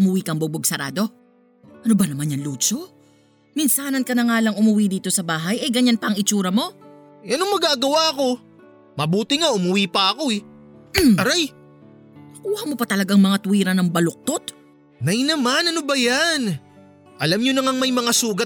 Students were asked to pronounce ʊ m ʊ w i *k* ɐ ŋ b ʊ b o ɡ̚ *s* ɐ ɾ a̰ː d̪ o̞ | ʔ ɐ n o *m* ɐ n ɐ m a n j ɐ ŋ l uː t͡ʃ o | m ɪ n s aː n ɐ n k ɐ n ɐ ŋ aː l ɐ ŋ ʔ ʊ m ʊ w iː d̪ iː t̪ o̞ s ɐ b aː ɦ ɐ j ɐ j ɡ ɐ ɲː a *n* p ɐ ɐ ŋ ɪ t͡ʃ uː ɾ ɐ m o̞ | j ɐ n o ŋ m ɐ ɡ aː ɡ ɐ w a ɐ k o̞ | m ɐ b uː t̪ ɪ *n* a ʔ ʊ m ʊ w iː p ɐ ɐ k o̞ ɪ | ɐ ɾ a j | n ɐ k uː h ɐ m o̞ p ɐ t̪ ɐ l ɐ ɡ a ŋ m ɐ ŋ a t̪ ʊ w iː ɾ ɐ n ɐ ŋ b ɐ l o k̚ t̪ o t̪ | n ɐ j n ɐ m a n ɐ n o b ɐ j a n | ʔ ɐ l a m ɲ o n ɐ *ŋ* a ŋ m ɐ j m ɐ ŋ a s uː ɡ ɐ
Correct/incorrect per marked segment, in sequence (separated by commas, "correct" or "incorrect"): correct, correct, incorrect, correct, incorrect, correct